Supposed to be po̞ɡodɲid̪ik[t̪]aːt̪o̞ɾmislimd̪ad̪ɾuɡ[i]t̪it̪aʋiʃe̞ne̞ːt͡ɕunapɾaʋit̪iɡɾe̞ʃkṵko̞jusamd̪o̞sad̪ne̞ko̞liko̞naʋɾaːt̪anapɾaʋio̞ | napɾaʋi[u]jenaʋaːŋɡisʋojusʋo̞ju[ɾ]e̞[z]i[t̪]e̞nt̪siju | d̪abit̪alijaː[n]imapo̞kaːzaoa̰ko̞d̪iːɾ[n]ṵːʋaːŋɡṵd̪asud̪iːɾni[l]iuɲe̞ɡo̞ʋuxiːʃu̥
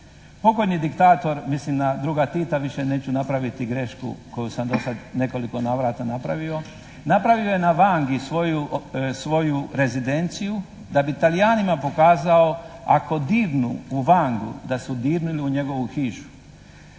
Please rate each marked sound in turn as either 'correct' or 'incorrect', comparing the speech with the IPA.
correct, incorrect: a, incorrect: o, correct, correct, incorrect: d̪, correct, correct, correct

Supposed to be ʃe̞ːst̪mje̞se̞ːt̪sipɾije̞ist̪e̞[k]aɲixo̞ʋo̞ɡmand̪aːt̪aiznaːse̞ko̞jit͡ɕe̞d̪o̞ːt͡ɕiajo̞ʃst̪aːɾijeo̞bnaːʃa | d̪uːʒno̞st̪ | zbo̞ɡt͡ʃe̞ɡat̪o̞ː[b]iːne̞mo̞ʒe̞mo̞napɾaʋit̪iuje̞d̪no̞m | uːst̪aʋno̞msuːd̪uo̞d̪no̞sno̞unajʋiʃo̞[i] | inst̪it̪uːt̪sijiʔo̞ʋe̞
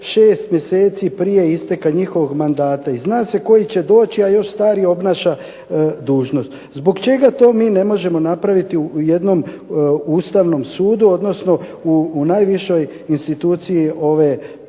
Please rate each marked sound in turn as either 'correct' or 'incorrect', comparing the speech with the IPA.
correct, incorrect: m, incorrect: j

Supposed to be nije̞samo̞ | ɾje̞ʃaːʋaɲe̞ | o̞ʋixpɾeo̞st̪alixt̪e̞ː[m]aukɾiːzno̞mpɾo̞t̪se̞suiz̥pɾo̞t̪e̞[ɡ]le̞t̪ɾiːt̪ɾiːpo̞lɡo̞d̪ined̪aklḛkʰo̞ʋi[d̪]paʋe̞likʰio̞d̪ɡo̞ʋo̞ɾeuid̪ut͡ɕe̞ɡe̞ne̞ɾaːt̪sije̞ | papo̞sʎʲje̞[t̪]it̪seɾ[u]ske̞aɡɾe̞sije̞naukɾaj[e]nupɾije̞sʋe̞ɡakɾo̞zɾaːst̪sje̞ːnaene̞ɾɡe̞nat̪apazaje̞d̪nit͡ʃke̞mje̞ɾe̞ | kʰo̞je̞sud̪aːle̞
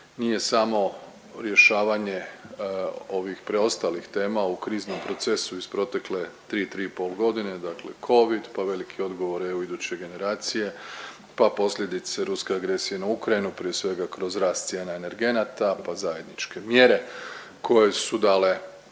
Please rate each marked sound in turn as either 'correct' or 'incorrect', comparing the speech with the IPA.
correct, incorrect: k, correct, incorrect: d̪, correct, incorrect: i

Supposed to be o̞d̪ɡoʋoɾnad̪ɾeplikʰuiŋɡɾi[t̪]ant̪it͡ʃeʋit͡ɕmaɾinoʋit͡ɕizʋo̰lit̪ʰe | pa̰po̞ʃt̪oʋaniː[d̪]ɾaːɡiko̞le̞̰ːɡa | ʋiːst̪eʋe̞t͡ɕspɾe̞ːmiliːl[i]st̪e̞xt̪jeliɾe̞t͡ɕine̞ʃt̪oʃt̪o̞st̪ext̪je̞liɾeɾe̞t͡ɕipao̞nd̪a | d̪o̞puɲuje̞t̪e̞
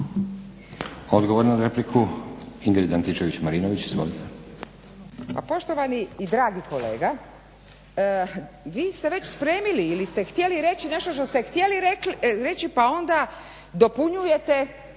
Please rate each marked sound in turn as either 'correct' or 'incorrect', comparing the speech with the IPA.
incorrect: d̪, correct, correct

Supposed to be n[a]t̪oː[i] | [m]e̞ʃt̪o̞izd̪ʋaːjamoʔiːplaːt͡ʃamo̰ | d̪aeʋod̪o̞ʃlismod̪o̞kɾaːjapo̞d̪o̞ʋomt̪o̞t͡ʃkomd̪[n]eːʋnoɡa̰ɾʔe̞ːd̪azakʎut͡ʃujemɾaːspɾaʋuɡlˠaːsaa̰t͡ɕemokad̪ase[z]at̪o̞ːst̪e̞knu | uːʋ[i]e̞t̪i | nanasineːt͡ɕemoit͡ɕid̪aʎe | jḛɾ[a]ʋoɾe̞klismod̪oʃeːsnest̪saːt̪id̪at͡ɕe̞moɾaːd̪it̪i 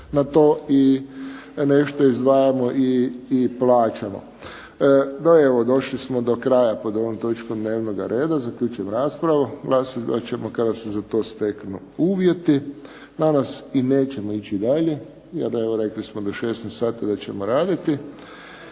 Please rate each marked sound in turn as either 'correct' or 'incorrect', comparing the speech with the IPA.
correct, correct, incorrect: n, correct, correct, incorrect: j, incorrect: e

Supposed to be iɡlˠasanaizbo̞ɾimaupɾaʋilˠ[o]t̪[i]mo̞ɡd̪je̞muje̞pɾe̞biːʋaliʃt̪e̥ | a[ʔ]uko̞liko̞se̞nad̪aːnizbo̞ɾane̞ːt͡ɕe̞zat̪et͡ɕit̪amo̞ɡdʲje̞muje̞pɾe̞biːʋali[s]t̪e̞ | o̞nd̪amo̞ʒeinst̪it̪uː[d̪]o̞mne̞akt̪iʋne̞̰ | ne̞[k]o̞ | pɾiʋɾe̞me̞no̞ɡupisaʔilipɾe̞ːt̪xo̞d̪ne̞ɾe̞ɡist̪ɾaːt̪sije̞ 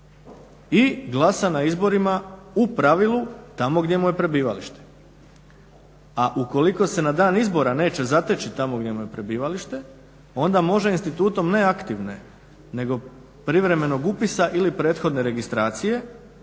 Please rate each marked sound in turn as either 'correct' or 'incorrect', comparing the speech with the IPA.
incorrect: u, incorrect: a, correct, incorrect: ʃ, incorrect: t̪, incorrect: ɡ

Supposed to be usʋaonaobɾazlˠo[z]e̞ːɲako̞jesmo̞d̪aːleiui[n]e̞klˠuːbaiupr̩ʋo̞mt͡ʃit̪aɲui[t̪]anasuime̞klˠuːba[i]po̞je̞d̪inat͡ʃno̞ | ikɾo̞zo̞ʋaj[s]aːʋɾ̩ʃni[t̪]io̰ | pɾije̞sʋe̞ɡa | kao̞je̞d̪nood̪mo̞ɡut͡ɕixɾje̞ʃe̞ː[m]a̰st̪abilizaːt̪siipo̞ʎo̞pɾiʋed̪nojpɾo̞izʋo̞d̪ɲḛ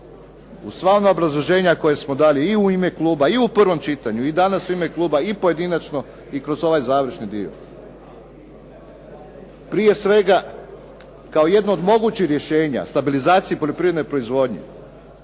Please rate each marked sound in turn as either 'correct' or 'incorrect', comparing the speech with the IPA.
incorrect: ʒ, incorrect: m, incorrect: d̪, correct, incorrect: z, incorrect: d̪, incorrect: ɲ

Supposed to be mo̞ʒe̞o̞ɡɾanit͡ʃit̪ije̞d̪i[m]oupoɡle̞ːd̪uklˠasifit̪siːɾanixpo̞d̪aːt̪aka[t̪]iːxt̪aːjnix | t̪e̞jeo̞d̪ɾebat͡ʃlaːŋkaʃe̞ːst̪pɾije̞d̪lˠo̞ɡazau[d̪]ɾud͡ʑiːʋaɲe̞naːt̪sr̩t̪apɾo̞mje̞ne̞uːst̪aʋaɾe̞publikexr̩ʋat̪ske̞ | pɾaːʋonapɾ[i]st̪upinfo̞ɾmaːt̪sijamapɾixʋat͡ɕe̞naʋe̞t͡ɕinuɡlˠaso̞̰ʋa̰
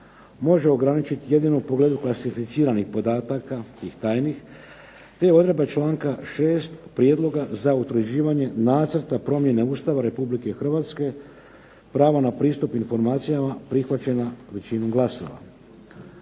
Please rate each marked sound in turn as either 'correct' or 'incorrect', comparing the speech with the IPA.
incorrect: n, correct, incorrect: t̪, incorrect: iː

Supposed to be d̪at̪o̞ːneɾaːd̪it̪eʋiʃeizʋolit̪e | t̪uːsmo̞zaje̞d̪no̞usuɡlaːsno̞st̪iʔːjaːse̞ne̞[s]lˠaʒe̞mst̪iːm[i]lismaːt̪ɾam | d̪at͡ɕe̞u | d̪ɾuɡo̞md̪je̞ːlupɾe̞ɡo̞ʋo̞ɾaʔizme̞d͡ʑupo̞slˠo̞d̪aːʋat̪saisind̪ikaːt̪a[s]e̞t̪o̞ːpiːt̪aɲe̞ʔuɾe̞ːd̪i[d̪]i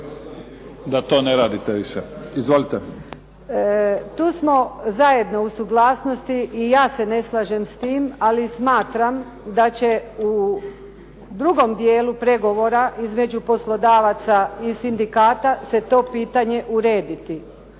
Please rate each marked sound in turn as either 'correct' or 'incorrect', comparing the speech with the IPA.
correct, incorrect: a, correct, incorrect: t̪

